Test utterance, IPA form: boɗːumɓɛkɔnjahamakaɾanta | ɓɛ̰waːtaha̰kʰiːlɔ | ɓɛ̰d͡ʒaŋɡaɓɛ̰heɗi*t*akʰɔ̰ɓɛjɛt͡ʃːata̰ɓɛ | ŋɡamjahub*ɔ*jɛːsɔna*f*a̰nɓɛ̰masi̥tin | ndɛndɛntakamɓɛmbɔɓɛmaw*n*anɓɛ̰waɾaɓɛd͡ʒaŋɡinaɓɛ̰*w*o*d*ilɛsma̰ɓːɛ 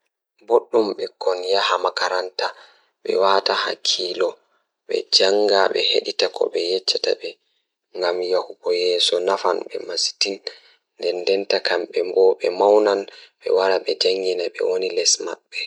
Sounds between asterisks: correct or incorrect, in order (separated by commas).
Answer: correct, correct, correct, correct, correct, incorrect